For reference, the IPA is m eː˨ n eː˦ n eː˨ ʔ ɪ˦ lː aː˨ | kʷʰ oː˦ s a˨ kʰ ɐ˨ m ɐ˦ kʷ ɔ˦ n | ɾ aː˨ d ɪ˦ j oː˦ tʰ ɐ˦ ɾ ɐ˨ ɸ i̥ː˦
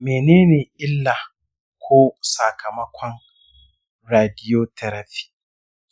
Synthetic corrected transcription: m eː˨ n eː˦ n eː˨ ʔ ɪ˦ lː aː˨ | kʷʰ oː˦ s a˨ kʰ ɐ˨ m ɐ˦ kʷ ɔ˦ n | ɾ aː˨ d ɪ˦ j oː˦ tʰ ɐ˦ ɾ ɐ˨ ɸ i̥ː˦